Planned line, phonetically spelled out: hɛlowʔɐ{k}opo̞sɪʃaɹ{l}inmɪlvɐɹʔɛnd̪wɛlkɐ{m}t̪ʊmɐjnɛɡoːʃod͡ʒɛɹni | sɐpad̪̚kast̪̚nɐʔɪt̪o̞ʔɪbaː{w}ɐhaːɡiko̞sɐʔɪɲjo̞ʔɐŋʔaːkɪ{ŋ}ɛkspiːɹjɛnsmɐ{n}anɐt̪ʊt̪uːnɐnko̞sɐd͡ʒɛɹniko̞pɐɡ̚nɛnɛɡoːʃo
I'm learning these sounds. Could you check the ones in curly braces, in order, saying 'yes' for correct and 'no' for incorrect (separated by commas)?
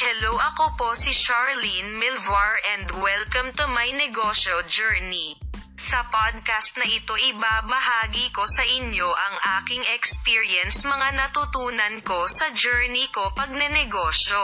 yes, yes, yes, no, yes, no